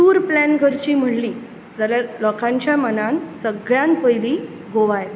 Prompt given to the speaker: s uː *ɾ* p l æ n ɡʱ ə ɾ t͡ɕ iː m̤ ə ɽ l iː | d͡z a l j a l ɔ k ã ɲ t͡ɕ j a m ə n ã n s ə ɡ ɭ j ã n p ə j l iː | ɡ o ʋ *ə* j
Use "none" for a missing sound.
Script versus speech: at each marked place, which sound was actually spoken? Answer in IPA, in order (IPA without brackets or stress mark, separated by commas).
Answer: ɾ, a